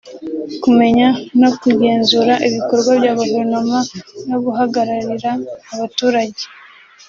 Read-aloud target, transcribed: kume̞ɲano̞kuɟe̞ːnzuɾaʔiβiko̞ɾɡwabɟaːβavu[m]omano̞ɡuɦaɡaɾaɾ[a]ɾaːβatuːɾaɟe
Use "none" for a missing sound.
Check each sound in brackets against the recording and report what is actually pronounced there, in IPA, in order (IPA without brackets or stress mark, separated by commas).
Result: n, i